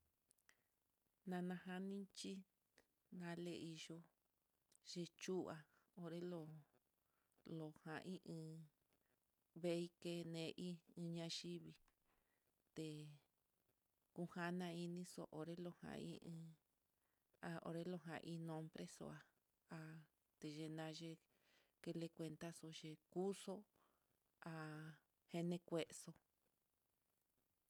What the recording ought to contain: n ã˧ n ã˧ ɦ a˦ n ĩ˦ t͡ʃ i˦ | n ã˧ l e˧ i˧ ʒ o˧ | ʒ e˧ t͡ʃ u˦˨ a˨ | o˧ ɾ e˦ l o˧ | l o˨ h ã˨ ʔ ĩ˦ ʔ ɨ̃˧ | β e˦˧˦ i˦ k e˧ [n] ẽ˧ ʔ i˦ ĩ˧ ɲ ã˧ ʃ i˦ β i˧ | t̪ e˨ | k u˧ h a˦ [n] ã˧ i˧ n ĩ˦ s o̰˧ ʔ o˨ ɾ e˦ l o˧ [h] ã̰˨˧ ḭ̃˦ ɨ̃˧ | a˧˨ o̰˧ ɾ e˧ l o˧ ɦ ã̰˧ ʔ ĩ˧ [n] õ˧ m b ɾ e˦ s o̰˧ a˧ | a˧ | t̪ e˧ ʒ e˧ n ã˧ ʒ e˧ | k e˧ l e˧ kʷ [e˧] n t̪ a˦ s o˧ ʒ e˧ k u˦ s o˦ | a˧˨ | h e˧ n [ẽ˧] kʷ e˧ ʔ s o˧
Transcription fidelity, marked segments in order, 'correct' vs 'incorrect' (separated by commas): correct, correct, correct, correct, correct, correct